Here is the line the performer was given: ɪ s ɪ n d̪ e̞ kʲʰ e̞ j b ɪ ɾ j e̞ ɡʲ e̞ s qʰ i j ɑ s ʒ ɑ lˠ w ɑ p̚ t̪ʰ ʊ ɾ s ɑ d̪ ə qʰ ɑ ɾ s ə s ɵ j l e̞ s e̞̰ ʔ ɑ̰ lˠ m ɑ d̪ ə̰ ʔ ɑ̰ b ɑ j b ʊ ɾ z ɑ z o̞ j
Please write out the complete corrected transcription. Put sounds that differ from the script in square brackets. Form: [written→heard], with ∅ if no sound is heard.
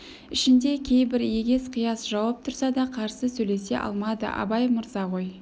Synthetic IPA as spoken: ɪ [s→ʃ] ɪ n d̪ e̞ kʲʰ e̞ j b ɪ ɾ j e̞ ɡʲ e̞ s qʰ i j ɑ s ʒ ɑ [lˠ→∅] w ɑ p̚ t̪ʰ ʊ ɾ s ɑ d̪ [ə→ɑ] qʰ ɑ ɾ s ə s ɵ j l e̞ s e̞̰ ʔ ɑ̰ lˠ m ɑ d̪ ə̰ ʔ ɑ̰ b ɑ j [b→m] ʊ ɾ z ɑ [z→ʁ] o̞ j